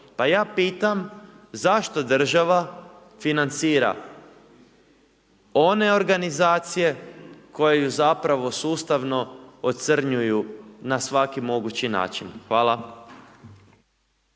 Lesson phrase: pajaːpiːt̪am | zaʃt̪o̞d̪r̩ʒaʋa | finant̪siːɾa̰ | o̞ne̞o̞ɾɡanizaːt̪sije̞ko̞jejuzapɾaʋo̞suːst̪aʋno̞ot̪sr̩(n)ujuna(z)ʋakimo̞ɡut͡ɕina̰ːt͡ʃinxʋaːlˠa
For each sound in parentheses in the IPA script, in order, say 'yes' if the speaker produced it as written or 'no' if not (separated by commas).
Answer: no, no